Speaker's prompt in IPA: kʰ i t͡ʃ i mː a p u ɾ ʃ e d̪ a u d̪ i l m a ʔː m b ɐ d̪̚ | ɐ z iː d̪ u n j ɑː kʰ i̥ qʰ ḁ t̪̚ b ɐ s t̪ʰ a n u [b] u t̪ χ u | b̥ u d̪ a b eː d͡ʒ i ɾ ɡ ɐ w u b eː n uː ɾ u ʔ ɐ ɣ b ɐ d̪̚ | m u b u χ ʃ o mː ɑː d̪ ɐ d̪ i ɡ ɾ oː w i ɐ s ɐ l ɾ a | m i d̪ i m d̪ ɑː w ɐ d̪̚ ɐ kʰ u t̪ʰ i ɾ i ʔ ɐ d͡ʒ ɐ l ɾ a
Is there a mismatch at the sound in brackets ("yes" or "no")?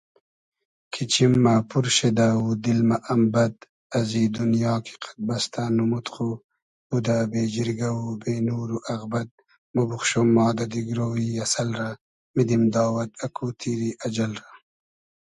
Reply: yes